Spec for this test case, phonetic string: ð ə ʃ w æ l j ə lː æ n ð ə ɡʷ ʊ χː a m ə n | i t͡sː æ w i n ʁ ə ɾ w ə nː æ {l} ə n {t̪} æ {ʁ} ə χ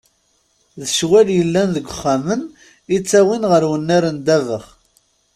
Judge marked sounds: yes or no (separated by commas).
no, no, no